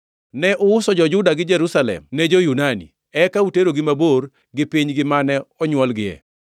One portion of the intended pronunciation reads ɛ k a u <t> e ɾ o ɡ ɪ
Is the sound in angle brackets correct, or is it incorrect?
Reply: correct